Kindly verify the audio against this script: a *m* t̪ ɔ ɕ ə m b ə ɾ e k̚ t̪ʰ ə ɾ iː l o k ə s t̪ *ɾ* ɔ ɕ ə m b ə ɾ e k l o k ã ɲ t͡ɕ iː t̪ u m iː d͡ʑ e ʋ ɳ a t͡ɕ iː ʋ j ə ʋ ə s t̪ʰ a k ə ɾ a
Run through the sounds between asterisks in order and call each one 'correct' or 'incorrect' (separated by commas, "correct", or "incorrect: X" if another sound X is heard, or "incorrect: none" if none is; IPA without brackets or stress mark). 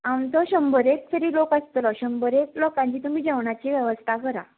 correct, incorrect: l